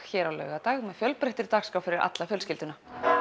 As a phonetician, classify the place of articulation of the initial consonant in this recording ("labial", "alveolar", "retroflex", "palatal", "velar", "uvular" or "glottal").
palatal